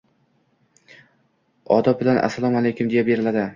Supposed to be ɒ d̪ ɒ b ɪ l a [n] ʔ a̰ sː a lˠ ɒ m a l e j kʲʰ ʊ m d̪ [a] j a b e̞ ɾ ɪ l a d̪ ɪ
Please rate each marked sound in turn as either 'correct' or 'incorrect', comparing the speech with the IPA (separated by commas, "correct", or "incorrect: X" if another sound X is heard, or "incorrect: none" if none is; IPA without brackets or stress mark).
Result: correct, incorrect: e